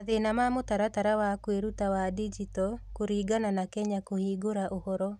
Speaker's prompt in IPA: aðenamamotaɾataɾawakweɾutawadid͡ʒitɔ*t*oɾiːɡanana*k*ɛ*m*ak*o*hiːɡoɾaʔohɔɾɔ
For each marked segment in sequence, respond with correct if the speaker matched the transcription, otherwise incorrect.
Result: incorrect, correct, incorrect, correct

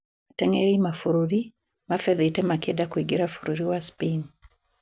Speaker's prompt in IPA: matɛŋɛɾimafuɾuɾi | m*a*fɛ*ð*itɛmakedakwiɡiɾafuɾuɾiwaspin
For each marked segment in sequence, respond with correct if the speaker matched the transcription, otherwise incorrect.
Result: correct, correct

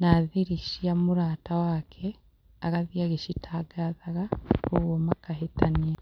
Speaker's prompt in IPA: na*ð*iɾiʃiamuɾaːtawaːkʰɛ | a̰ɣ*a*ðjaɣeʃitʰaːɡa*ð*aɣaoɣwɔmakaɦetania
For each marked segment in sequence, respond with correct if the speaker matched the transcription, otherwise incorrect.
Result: correct, correct, correct

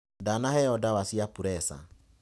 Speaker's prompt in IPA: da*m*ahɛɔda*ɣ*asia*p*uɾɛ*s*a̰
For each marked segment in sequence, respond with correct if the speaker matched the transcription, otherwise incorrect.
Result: incorrect, incorrect, correct, correct

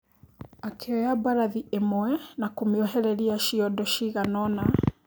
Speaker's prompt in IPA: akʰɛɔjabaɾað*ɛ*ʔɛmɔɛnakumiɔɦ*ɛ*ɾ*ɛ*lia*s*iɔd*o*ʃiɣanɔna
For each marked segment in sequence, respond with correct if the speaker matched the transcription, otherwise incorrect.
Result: incorrect, correct, correct, incorrect, incorrect

